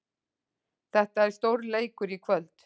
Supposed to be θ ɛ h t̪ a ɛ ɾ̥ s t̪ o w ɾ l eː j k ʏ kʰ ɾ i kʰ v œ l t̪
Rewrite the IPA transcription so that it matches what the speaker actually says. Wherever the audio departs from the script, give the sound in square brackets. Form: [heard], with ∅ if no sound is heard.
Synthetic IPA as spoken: θ ɛ h t̪ a ɛ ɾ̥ s t̪ o w ɾ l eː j k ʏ [∅] ɾ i kʰ v œ l t̪